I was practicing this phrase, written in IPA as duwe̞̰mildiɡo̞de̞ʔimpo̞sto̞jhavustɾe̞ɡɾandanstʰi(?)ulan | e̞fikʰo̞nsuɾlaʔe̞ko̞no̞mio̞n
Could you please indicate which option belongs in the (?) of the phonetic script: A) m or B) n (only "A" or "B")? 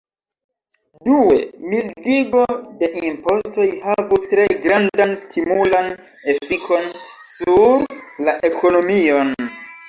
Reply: A